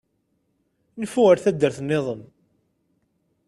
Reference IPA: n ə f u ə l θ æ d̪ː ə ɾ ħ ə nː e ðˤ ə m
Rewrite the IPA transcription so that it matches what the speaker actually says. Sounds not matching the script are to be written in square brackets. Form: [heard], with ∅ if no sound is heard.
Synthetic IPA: n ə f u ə [ɾ] θ æ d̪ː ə ɾ [θ] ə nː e ðˤ ə m